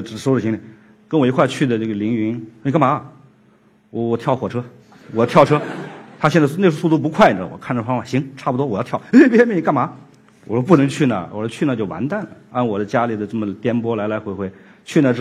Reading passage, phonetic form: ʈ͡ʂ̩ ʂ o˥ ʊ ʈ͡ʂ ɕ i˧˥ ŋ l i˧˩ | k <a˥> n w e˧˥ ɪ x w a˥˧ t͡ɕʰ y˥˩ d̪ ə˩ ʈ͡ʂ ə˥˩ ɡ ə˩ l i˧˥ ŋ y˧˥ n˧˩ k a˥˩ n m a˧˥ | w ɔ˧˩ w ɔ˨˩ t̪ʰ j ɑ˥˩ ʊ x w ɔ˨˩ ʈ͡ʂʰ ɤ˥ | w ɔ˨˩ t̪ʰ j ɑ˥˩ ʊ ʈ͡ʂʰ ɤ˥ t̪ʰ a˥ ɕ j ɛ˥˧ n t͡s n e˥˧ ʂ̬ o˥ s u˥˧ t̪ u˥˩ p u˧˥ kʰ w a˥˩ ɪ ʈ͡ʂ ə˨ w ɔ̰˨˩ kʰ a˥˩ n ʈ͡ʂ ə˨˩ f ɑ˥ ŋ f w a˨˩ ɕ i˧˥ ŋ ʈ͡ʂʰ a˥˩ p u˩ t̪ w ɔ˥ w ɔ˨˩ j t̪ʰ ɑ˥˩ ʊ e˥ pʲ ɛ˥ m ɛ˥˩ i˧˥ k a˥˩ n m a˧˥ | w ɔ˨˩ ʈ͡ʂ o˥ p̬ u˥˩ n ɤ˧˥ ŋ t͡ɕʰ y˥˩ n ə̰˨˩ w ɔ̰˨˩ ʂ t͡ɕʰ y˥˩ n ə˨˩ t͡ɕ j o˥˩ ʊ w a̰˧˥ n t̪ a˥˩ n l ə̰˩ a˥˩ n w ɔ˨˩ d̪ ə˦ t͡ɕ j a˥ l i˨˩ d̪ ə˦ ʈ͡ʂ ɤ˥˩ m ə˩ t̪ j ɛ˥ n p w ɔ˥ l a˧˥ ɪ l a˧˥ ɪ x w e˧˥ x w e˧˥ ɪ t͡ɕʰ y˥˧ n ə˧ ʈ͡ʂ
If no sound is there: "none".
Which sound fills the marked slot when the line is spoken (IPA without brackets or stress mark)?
ə˥